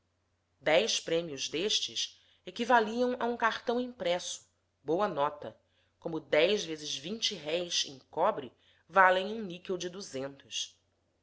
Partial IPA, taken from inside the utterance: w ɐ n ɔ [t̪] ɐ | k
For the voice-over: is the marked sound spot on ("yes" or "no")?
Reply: yes